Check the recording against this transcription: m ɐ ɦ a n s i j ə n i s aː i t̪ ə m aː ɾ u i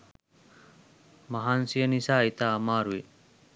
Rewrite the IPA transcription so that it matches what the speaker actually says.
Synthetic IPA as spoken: m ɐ ɦ a n s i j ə n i s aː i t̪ a m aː ɾ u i